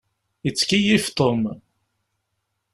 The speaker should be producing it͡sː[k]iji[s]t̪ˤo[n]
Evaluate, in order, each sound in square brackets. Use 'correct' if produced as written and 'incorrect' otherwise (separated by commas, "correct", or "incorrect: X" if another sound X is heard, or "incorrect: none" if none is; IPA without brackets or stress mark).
correct, incorrect: f, incorrect: m